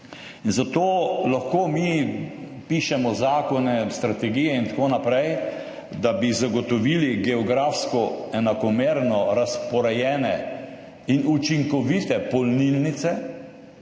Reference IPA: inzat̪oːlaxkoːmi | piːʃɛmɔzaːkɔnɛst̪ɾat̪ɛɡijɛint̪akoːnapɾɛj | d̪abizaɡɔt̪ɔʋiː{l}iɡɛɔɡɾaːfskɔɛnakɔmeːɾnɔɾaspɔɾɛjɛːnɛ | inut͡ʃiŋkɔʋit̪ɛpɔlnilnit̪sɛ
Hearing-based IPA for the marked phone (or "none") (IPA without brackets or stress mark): l